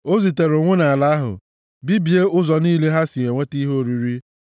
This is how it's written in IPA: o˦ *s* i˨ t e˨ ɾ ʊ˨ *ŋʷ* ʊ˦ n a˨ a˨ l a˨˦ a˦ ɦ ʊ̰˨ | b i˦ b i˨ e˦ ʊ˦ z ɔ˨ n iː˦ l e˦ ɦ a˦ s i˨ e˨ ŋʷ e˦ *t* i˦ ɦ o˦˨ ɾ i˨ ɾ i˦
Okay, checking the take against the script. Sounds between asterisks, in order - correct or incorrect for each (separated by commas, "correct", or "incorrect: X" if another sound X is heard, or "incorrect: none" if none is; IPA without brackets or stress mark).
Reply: incorrect: z, correct, correct